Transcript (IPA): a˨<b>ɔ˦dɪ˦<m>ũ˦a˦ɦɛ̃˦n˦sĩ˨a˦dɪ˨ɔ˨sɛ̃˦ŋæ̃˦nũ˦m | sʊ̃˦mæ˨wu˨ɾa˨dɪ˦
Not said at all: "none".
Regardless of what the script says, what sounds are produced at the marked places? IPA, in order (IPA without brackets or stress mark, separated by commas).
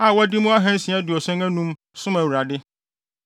w, m